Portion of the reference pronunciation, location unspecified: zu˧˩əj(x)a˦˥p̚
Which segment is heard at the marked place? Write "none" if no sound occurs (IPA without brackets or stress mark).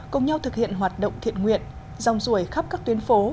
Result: x